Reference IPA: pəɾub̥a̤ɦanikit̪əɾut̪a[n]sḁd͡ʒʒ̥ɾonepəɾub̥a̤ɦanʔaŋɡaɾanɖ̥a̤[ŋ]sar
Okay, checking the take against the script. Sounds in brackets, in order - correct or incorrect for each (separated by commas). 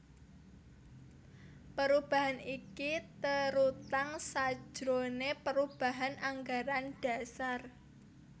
incorrect, incorrect